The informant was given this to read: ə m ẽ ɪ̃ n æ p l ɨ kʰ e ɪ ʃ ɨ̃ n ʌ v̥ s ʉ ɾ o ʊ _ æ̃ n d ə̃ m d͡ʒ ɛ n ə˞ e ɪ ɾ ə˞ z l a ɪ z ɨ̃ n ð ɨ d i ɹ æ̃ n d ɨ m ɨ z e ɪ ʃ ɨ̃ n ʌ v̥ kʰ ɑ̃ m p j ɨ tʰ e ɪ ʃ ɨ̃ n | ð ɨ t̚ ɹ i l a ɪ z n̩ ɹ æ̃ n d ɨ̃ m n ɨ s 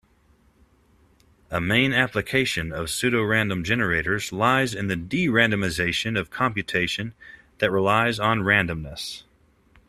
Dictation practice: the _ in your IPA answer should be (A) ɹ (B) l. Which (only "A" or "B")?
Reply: A